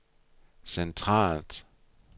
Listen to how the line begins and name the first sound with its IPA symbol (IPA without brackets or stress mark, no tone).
s